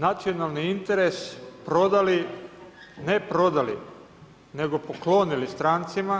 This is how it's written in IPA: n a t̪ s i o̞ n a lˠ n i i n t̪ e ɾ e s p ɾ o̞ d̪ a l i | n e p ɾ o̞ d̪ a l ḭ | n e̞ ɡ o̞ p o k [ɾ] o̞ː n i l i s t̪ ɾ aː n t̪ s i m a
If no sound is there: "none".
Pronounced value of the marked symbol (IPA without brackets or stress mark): l